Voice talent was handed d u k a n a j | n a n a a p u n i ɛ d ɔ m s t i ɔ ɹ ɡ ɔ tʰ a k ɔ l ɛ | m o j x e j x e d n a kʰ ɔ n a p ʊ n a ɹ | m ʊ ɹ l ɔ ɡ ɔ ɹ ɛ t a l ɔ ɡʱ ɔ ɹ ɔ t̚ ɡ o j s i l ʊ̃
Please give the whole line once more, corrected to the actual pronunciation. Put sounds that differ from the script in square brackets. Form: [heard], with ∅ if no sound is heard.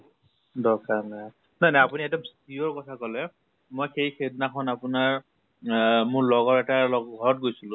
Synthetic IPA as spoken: d [ɔ] k a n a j | n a n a a p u n i ɛ d ɔ m s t i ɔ ɹ [k] ɔ tʰ a k ɔ l ɛ | m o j x e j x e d n a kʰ ɔ n a p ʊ n a ɹ | m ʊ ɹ l ɔ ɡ ɔ ɹ ɛ t a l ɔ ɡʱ ɔ ɹ ɔ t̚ ɡ o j s i l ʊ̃